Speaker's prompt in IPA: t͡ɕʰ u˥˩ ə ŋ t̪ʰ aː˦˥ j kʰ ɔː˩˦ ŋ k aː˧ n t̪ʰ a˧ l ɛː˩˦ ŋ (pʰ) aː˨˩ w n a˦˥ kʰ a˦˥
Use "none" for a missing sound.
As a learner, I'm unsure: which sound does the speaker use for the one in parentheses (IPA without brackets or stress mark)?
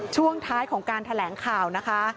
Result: kʰ